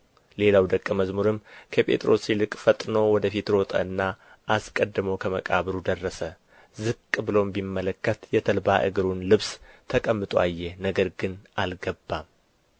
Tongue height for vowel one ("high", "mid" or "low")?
mid